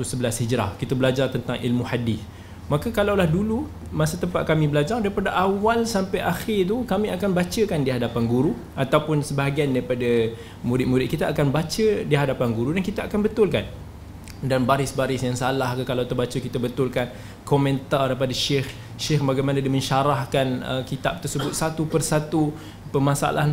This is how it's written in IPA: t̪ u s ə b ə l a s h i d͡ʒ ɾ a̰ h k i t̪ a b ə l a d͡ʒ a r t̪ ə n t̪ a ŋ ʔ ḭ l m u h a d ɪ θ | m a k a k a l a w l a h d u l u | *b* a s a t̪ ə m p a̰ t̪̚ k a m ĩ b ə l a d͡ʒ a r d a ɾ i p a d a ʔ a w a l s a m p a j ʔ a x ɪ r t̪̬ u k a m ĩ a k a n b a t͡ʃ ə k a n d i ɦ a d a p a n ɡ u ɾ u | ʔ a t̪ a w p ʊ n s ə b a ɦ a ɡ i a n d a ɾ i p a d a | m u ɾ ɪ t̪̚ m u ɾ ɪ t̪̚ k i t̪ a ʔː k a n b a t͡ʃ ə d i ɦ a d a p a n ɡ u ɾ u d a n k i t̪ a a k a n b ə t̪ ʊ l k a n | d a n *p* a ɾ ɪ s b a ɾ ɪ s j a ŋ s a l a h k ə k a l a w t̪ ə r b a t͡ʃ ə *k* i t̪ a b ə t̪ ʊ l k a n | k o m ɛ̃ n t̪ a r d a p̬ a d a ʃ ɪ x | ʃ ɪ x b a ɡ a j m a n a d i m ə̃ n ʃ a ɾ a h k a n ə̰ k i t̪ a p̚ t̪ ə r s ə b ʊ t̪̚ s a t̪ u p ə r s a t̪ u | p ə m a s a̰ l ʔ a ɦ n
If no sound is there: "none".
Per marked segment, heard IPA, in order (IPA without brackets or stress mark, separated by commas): m, b, k